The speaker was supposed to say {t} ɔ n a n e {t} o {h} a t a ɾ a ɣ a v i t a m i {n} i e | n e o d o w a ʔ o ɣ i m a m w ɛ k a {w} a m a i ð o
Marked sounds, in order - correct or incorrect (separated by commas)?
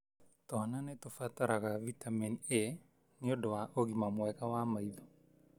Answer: correct, correct, incorrect, correct, correct